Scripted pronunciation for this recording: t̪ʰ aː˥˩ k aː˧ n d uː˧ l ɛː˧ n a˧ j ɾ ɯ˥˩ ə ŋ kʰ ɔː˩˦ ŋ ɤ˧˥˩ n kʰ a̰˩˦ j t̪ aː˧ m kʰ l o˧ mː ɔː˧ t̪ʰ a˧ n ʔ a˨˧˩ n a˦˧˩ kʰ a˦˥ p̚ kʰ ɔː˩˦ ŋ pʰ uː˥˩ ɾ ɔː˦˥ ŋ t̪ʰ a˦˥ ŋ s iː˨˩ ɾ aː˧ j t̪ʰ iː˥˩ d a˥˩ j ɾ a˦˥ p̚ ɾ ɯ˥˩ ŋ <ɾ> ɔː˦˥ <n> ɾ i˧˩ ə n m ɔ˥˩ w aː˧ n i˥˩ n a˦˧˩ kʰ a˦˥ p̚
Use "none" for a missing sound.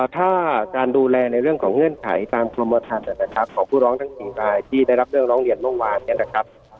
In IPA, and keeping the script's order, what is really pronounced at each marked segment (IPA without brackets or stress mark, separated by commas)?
ɾ, ŋ